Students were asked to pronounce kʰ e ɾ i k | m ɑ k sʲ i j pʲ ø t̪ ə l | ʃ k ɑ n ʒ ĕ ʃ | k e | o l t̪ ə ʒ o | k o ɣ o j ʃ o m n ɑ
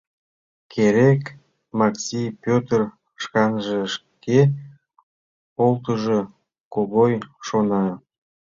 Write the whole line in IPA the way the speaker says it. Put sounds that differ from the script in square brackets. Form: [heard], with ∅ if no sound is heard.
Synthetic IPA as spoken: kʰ e ɾ [e] k | m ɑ k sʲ i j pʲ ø t̪ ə [r] | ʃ k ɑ n ʒ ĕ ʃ | k e | o l t̪ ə ʒ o | k o ɣ o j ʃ o [∅] n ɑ

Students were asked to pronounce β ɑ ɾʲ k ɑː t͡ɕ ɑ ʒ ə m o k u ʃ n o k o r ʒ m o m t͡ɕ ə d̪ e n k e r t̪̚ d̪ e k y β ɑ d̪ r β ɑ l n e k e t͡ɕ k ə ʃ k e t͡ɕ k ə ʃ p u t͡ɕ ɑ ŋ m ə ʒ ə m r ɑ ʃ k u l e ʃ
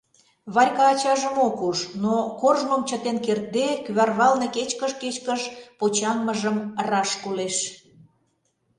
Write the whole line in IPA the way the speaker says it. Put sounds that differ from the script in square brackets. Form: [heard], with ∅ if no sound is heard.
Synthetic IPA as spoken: β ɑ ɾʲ k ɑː t͡ɕ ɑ ʒ ə m o k u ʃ n o k o r ʒ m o m t͡ɕ ə [t̪] e n k e r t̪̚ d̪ e k y β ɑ [∅] r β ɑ l n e k e t͡ɕ k ə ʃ k e t͡ɕ k ə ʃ p [o] t͡ɕ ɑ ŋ m ə ʒ ə m r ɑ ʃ k u l e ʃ

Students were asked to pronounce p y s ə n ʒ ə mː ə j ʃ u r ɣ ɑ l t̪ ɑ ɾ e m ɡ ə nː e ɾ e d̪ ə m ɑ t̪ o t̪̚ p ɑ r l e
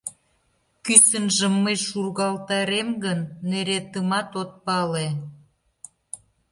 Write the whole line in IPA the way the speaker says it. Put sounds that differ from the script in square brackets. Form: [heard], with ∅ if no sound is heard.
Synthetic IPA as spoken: [k] y s ə n ʒ ə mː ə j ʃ u r ɣ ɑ l t̪ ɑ ɾ e m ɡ ə nː e ɾ e [t̪] ə m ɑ t̪ o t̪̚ p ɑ [∅] l e

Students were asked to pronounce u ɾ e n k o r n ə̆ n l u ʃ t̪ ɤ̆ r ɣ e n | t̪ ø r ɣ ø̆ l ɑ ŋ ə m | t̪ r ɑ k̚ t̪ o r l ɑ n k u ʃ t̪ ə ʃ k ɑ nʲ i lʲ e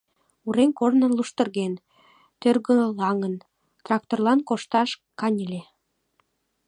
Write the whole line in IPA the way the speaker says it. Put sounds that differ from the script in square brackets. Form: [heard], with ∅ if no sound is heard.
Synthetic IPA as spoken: u ɾ e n k o r n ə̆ n l u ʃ t̪ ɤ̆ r ɣ e n | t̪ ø r ɣ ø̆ l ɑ ŋ ə [n] | t̪ r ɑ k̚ t̪ o r l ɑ n k [o] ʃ t̪ [ɑ] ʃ k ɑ nʲ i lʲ e

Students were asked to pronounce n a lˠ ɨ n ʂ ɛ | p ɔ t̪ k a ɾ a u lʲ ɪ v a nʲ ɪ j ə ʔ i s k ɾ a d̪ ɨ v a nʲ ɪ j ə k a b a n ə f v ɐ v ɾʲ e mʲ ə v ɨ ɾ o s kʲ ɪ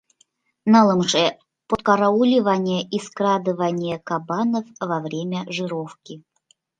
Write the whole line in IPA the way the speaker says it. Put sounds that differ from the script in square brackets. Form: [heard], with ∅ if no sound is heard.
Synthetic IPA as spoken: n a lˠ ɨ [m] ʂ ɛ | p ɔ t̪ k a ɾ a u lʲ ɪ v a nʲ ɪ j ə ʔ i s k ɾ a d̪ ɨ v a nʲ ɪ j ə k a b a n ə f v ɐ v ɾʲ e mʲ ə [ʐ] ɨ ɾ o [f] kʲ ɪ

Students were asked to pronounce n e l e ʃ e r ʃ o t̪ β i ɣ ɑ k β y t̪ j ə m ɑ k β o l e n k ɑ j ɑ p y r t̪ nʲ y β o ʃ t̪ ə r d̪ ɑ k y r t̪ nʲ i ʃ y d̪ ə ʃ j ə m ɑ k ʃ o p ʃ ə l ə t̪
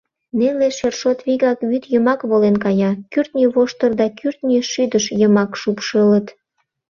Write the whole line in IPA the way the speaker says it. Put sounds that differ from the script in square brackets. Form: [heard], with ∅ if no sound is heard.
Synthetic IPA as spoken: n e l e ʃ e r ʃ o t̪ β i ɣ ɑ k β y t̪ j ə m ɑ k β o l e n k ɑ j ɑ [k] y r t̪ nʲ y β o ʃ t̪ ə r d̪ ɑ k y r t̪ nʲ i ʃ y d̪ ə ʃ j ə m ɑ k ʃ [u] p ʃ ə l ə t̪

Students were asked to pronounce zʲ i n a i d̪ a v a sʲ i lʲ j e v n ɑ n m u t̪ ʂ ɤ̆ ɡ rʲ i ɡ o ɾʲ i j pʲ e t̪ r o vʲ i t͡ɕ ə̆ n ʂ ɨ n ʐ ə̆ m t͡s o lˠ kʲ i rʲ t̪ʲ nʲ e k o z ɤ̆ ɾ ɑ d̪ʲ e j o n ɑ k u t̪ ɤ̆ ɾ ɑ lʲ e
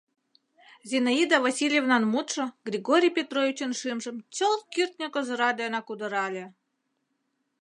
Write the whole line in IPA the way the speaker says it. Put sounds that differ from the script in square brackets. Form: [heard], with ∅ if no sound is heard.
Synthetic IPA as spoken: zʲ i n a i d̪ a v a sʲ i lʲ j e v n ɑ n m u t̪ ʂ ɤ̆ ɡ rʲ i ɡ o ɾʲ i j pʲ e t̪ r o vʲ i t͡ɕ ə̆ n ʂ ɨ [m] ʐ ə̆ m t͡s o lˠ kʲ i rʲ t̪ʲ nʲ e k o z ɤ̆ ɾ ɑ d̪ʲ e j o n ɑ k u [d̪] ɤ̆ ɾ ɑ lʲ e

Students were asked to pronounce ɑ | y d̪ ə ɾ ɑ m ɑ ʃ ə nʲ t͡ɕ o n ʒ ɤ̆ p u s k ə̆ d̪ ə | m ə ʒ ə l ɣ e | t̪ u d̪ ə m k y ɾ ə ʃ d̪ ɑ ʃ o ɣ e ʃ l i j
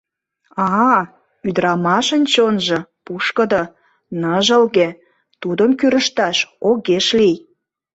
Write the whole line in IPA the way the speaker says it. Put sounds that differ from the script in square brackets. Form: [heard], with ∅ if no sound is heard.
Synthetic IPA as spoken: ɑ | y d̪ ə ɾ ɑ m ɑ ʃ ə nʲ t͡ɕ o n ʒ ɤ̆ p u [ʃ] k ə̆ d̪ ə | [n] ə ʒ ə l ɣ e | t̪ u d̪ ə m k y ɾ ə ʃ [t̪] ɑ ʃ o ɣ e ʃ l i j

